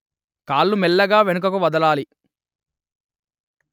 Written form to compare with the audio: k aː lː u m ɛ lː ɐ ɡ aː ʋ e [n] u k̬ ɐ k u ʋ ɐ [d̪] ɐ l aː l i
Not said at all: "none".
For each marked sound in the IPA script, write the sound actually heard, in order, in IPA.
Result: n, d̪

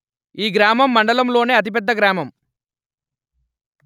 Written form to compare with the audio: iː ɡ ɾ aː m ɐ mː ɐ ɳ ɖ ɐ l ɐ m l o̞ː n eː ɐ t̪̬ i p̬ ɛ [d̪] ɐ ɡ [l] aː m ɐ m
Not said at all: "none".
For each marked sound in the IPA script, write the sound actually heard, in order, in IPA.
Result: d̪ː, ɾ

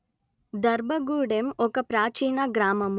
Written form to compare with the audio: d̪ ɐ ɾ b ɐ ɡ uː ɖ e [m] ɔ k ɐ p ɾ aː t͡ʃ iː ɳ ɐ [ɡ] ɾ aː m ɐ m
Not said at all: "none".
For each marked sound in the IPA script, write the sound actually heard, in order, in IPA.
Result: m, ɡ

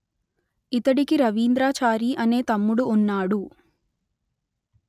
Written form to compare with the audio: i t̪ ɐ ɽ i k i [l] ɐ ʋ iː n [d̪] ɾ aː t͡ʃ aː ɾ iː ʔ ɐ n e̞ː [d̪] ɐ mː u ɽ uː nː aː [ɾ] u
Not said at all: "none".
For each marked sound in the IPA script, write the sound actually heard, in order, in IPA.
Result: ɾ, d̪, t̪, ɽ

